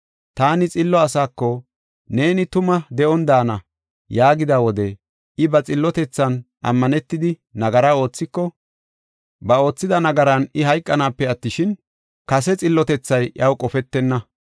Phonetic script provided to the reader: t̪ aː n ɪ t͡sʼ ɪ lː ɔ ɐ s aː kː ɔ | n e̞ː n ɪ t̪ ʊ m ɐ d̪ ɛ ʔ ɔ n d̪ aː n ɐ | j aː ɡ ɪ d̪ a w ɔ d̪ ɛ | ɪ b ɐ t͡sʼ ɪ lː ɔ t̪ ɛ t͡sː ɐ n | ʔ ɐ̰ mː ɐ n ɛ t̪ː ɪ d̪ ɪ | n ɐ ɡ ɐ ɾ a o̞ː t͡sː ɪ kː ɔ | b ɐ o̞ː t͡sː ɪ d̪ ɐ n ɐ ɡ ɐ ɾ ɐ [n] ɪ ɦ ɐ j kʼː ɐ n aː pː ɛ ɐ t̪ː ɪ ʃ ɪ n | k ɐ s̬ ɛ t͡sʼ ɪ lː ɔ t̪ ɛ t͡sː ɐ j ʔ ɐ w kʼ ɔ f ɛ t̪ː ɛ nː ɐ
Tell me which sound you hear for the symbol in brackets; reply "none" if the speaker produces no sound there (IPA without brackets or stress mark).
n